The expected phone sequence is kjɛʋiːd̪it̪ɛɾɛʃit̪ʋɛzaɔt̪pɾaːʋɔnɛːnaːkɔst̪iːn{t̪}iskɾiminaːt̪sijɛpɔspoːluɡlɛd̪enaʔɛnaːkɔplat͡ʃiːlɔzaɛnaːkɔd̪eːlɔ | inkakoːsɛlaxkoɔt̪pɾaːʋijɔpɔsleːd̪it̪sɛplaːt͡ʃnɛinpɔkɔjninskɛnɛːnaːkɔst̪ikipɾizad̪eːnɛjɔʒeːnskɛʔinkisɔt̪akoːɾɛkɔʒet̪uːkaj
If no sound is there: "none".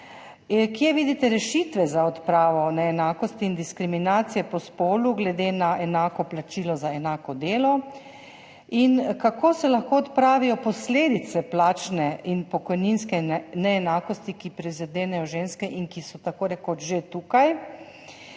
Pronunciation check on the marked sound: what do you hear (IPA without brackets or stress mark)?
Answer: d̪